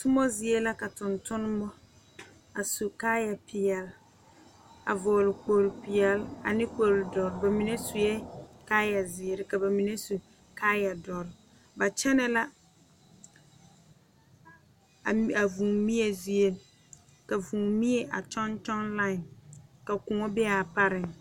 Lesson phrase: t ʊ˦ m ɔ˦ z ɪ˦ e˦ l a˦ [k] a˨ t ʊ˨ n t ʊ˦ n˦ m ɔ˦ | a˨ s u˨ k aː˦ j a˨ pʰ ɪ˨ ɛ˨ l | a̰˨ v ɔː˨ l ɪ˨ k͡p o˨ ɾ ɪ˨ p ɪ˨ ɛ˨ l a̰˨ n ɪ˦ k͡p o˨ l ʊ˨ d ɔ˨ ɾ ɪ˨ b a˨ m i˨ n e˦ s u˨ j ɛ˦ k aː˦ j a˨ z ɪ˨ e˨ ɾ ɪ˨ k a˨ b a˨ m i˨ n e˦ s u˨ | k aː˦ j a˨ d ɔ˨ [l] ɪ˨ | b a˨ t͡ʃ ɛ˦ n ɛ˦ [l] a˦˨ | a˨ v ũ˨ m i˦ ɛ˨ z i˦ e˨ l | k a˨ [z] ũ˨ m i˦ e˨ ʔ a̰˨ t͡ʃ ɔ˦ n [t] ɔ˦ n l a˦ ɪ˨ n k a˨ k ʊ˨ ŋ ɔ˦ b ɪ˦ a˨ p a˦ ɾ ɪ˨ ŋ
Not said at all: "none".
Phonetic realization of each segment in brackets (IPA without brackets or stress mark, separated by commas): k, ɾ, l, v, t͡ʃ